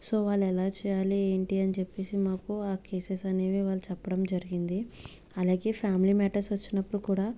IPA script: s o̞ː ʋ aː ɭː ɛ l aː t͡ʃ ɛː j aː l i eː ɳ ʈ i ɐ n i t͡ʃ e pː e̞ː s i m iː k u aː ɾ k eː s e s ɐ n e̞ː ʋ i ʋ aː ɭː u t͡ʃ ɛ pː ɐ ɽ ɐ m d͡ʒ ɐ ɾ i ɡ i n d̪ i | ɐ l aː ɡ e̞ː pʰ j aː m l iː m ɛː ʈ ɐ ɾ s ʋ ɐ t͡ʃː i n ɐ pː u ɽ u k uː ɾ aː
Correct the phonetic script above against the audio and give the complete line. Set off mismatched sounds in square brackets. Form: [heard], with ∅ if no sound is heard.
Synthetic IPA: s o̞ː ʋ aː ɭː ɛ l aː t͡ʃ ɛː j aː l i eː ɳ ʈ i ɐ n i t͡ʃ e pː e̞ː s i m [aː] k u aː [∅] k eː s e s ɐ n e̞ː ʋ i ʋ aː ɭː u t͡ʃ ɛ pː ɐ ɽ ɐ m d͡ʒ ɐ ɾ i ɡ i n d̪ i | ɐ l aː ɡ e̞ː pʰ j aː m l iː m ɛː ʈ ɐ ɾ s ʋ ɐ t͡ʃː i n ɐ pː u ɽ u k uː [ɽ] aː